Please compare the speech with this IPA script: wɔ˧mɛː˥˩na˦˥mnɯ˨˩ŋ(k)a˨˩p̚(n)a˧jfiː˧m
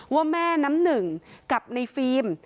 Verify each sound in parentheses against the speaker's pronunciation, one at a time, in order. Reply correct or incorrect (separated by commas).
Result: correct, correct